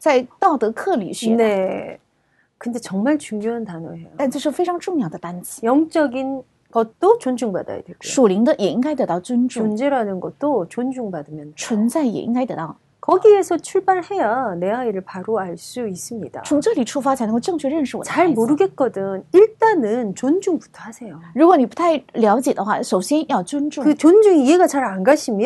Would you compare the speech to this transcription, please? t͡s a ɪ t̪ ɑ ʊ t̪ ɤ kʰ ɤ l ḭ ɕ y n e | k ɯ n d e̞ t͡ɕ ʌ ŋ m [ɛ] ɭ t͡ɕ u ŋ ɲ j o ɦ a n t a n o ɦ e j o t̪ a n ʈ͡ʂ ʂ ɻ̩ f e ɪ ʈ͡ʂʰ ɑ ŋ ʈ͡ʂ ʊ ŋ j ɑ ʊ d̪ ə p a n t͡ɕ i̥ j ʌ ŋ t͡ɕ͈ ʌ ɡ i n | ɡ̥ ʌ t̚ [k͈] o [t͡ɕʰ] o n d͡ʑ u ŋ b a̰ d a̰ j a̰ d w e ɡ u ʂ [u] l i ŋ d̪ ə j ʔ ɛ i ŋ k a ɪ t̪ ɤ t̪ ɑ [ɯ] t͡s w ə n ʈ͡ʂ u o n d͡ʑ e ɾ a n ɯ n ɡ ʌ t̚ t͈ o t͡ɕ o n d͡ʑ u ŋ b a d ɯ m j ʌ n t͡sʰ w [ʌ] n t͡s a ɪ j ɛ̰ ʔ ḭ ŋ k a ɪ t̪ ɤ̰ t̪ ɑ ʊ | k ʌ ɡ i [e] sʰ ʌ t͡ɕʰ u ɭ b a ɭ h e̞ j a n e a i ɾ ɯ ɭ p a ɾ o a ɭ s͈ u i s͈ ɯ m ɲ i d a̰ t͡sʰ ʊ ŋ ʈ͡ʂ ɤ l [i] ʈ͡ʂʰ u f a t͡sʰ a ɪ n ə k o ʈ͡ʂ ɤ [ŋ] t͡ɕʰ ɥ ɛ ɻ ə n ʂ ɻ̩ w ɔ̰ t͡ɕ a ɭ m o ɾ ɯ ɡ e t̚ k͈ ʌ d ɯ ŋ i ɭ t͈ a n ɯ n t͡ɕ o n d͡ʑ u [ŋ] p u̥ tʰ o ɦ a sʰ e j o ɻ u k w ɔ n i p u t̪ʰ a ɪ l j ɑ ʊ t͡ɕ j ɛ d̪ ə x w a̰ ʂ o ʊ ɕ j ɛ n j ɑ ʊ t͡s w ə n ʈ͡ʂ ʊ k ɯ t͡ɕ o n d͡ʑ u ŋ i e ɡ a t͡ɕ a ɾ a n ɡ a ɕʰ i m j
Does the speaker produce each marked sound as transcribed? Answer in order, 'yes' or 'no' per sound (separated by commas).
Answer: no, no, no, yes, no, no, yes, yes, yes, yes